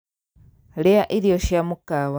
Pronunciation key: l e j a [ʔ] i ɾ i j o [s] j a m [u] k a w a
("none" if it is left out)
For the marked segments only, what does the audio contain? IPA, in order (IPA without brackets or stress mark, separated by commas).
ʔ, ʃ, u